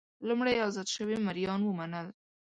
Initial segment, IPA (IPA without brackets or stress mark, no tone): l